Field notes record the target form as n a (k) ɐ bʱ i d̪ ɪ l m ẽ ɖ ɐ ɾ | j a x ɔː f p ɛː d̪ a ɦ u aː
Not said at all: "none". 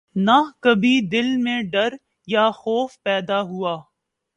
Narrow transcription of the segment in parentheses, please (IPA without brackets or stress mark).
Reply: k